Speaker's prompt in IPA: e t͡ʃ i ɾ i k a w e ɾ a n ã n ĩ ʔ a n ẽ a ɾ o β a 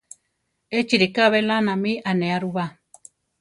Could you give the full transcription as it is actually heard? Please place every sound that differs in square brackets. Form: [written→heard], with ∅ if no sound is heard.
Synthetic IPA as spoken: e t͡ʃ i ɾ i k a [w→β] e [ɾ→l] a n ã [n→m] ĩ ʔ a n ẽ a ɾ [o→u] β a

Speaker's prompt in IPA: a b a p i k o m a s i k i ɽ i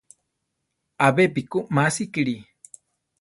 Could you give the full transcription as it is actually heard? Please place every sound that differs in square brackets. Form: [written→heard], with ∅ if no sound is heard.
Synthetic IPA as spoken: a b [a→e] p i k [o→u] m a s i k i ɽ i

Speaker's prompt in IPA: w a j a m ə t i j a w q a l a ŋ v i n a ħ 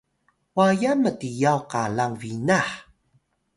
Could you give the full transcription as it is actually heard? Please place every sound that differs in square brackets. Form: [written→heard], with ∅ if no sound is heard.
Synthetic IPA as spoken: w a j a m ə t i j a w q a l a ŋ v i n a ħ

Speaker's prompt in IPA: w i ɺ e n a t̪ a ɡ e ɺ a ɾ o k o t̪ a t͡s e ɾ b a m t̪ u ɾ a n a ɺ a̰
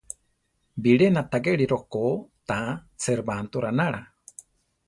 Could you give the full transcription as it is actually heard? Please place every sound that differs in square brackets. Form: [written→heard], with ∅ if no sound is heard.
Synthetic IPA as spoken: [w→b] i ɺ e n a t̪ a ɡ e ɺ [a→i] ɾ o k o t̪ a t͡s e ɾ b a [m→n] t̪ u ɾ a n a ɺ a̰

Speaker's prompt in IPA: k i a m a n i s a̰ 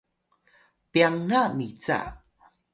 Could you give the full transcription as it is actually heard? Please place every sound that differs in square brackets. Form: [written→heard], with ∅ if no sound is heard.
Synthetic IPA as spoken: [k→p] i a [m→ŋ] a [n→m] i [s→t͡s] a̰

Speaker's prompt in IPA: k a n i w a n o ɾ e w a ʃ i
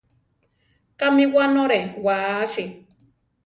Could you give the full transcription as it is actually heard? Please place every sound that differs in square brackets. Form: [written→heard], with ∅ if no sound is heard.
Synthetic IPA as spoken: k a [n→m] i w a n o ɾ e w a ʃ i

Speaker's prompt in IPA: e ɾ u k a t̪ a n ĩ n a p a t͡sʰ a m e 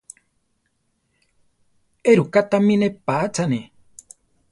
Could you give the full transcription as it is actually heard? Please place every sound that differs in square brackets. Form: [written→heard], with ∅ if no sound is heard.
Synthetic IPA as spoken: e ɾ u k a t̪ a [n→m] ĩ n [a→e] p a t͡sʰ a [m→n] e

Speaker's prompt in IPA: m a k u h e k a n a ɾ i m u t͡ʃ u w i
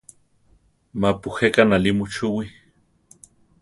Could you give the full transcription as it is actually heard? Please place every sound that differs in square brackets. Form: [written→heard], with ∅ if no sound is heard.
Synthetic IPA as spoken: m a [k→p] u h e k a n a [ɾ→l] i m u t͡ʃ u w i

